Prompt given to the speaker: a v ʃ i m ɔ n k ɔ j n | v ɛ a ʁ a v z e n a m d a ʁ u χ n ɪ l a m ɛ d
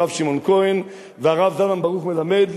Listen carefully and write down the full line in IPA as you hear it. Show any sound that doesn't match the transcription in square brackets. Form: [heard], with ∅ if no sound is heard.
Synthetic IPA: a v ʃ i m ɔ n k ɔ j n | v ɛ a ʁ a v z [a] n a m [b] a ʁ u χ [m] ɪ l a m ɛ d